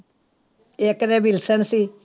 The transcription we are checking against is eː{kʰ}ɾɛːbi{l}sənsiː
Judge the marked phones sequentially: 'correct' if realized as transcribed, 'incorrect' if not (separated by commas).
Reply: incorrect, correct